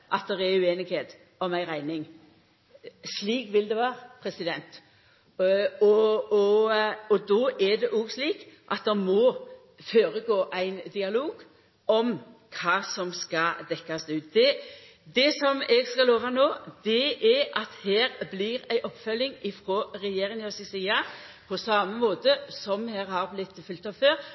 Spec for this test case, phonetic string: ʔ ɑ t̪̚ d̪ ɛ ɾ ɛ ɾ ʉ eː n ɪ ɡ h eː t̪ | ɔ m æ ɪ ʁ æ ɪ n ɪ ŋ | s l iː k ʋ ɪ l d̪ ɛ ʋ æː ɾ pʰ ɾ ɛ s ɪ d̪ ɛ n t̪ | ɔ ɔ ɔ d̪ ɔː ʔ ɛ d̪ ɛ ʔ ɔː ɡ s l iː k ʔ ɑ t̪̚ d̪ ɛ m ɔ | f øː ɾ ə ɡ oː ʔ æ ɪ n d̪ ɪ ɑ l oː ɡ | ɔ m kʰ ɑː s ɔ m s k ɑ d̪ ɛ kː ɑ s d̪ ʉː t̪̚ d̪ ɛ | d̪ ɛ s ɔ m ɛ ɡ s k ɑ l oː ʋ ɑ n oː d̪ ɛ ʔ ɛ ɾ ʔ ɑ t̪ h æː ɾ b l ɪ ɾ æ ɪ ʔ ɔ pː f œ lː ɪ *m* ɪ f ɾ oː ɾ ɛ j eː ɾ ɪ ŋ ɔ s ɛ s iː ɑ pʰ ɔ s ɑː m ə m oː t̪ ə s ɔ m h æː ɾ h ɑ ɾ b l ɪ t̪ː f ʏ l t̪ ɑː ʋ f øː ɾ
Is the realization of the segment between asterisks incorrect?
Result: yes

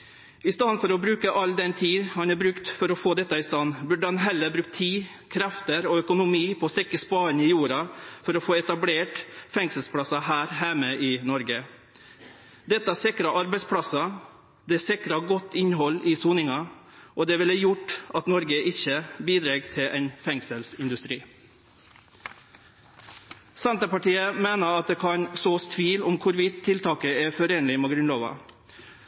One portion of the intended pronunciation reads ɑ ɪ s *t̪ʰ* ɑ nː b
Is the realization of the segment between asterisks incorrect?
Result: yes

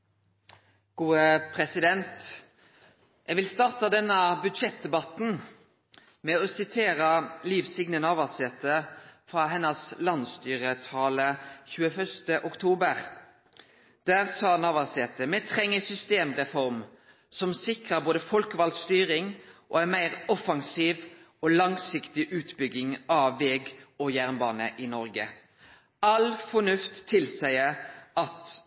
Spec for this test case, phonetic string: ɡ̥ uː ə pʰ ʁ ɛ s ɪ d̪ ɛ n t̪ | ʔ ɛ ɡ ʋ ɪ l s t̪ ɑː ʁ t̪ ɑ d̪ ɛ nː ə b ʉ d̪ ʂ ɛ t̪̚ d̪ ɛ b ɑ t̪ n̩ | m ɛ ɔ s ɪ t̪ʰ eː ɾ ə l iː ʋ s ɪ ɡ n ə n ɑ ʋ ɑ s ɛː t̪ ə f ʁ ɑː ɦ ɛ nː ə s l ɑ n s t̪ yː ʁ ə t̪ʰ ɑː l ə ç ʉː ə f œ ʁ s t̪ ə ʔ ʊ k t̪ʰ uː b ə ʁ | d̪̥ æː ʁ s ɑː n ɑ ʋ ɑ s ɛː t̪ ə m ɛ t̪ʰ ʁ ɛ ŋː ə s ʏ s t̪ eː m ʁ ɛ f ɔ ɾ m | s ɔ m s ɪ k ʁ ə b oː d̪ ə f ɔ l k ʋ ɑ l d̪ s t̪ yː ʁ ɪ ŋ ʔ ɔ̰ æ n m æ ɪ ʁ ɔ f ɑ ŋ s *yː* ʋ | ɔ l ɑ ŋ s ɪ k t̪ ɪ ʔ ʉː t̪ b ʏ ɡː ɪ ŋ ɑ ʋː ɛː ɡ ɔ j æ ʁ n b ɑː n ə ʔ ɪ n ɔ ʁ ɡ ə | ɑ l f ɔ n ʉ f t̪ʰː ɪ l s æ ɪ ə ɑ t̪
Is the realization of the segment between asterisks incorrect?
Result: yes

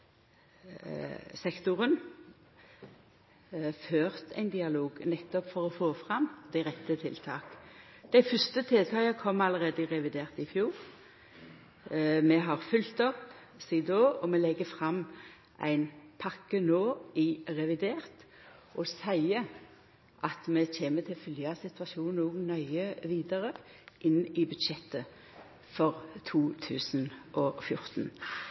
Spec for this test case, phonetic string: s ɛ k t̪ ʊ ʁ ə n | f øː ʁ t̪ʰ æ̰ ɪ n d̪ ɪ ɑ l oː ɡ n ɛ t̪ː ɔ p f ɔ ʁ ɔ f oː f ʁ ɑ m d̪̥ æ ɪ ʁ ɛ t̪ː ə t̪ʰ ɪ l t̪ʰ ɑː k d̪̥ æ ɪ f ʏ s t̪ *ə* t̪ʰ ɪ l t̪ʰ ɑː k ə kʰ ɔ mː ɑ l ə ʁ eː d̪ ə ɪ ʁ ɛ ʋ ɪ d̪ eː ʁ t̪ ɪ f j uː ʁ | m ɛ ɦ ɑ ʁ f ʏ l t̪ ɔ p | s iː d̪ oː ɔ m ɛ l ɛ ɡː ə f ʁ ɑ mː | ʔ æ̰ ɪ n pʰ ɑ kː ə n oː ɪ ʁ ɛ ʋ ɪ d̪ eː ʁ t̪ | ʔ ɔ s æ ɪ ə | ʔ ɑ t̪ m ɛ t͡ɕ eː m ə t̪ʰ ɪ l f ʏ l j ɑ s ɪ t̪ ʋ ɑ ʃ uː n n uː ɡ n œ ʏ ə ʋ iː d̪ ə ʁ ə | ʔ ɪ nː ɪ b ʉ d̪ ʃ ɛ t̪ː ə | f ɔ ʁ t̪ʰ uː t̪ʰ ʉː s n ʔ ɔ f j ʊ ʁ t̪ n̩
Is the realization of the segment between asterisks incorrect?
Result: no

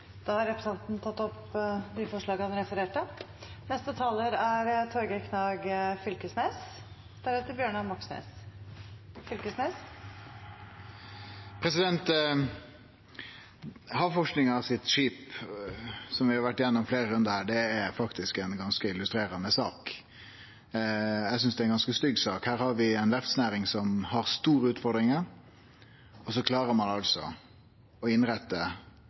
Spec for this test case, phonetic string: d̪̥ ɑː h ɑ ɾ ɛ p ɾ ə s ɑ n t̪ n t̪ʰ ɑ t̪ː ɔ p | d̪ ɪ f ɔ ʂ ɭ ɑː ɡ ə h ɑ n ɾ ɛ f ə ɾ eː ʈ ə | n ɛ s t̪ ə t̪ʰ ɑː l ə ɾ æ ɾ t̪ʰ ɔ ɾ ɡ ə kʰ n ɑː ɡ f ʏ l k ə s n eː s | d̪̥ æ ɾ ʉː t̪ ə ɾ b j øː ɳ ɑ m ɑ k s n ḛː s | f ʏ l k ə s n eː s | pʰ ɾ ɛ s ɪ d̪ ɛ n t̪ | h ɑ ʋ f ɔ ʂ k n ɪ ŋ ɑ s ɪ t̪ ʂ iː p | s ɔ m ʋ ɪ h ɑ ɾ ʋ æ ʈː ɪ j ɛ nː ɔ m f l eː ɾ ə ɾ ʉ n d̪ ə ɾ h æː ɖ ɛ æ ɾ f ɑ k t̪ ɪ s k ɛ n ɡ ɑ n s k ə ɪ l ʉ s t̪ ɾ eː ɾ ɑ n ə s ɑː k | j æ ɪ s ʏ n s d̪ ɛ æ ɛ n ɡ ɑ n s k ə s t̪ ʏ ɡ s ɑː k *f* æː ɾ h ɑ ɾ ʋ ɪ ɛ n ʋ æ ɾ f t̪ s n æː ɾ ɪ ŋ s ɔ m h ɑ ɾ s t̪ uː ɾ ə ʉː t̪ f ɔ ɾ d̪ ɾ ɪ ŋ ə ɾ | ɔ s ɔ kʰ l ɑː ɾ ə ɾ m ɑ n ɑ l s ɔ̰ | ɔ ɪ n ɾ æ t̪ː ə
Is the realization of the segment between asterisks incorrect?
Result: yes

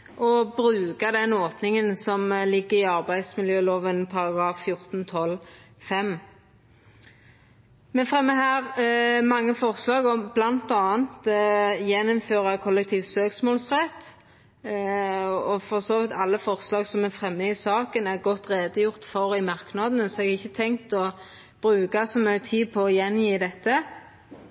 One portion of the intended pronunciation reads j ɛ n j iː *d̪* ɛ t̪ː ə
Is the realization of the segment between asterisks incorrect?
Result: no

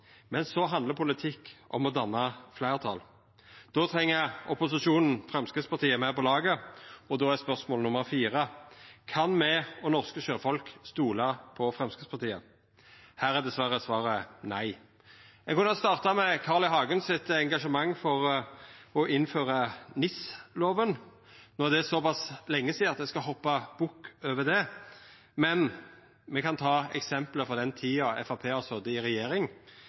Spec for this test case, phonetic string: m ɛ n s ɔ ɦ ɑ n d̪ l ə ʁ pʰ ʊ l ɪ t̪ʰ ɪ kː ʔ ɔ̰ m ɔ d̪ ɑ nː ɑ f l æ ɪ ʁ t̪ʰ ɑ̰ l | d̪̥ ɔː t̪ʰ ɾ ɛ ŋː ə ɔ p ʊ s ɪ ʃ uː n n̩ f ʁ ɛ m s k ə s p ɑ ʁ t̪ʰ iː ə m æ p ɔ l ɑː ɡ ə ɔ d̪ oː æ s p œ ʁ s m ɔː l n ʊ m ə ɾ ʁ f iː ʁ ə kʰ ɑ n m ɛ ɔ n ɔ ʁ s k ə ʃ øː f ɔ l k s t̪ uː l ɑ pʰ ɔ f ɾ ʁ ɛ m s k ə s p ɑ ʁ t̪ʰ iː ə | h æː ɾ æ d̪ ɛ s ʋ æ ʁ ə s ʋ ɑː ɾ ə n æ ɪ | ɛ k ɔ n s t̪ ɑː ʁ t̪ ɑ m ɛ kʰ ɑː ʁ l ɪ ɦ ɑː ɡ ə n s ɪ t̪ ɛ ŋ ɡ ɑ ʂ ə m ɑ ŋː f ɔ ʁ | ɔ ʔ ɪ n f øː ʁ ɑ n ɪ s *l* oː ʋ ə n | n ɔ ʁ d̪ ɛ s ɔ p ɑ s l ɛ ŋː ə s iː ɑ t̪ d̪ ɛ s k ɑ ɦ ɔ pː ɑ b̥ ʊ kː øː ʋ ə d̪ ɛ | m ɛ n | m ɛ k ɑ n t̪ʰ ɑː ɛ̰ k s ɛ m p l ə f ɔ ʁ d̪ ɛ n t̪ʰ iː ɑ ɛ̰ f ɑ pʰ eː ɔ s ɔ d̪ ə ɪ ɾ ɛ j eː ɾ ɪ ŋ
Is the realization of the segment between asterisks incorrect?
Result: no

